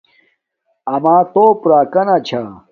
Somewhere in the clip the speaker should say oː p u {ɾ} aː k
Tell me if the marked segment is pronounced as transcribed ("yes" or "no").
yes